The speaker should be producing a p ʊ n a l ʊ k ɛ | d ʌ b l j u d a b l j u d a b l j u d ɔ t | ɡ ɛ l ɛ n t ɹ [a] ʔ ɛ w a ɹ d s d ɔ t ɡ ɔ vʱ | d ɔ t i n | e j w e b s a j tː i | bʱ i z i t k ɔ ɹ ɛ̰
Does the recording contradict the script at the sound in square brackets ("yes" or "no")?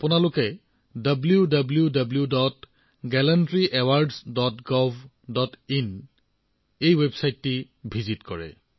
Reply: yes